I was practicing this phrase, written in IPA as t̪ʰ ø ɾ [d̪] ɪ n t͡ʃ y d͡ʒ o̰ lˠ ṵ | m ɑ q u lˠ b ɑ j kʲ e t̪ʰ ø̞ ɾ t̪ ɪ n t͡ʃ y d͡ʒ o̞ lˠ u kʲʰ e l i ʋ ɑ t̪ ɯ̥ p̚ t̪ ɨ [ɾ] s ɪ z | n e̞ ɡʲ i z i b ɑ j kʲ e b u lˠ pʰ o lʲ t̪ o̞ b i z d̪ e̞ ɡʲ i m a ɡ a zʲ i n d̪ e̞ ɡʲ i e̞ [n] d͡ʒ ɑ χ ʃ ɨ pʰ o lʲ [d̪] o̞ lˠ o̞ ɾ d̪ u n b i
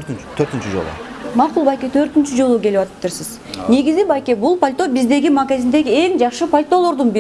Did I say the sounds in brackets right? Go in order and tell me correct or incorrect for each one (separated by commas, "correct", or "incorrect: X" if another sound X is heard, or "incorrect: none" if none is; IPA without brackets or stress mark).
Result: incorrect: t̪, correct, incorrect: ŋ, incorrect: t̪